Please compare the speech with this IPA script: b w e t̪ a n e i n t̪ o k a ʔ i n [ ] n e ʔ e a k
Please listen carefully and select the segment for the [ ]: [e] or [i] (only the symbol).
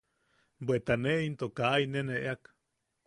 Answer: e